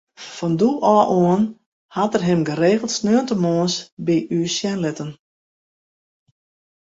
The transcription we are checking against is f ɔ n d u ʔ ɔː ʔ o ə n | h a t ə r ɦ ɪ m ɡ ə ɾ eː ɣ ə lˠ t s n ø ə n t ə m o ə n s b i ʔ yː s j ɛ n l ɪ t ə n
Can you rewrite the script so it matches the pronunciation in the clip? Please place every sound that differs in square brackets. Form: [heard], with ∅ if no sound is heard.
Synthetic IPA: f ɔ n d u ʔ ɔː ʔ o ə n | h a t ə r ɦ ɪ m ɡ ə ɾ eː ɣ ə lˠ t s n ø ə n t ə m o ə n s b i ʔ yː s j ɛ n l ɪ t ə n